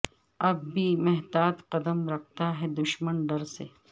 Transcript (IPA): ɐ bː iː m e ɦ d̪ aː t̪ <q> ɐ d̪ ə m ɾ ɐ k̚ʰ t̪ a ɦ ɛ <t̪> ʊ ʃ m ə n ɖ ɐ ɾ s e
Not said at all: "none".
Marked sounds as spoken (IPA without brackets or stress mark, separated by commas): q, d̪